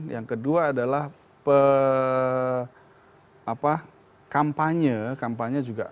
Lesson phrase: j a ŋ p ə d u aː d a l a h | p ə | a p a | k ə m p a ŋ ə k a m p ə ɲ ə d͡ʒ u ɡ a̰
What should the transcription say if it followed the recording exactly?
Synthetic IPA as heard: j a ŋ k ə d u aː d a l a h | p ə | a p a | k a m p a ɲ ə k a m p a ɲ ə d͡ʒ u ɡ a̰